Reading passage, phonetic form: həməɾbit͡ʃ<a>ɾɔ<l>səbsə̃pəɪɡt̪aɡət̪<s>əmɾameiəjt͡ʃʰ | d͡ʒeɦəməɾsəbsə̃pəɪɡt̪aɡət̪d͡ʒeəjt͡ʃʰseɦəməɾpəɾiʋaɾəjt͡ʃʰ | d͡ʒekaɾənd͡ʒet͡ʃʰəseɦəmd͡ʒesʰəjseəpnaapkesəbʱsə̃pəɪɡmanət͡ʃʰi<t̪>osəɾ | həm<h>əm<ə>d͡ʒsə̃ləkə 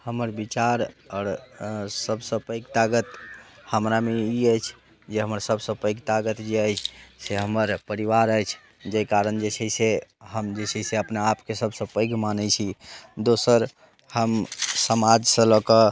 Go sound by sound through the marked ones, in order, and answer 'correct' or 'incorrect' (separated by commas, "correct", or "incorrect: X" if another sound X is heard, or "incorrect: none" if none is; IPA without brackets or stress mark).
correct, incorrect: ɾ, incorrect: h, incorrect: d̪, incorrect: s, incorrect: a